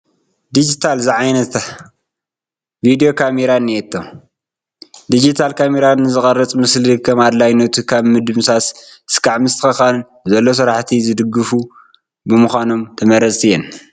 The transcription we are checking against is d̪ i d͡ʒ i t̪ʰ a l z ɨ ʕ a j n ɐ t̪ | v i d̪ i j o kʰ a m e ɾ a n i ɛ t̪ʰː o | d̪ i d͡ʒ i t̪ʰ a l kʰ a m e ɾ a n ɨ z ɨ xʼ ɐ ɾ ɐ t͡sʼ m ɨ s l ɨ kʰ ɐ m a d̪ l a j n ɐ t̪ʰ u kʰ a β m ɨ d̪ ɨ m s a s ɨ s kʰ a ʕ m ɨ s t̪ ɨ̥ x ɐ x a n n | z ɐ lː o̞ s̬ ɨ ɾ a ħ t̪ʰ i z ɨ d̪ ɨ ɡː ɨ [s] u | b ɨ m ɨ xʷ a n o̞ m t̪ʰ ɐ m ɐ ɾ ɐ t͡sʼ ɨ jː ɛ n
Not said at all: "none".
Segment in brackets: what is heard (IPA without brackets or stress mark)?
f